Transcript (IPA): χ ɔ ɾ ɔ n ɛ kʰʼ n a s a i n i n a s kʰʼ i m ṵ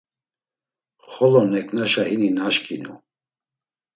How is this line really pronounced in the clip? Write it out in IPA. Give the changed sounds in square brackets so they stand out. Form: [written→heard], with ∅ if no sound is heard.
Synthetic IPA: χ ɔ [ɾ→l] ɔ n ɛ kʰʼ n a [s→ʃ] a i n i n a [s→ʃ] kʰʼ i [m→n] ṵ